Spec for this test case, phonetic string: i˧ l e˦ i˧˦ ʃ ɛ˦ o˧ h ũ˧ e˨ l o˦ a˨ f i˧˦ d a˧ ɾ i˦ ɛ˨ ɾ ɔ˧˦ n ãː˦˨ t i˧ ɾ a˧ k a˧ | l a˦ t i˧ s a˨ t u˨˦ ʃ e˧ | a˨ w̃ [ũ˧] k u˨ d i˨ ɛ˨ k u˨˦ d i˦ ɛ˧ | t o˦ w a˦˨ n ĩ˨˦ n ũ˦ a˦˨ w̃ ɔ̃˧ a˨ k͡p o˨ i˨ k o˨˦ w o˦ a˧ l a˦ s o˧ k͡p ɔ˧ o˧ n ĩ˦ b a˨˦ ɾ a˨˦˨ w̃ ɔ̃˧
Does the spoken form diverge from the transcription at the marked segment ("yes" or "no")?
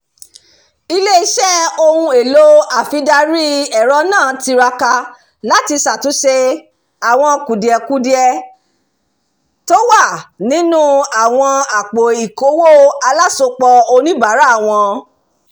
yes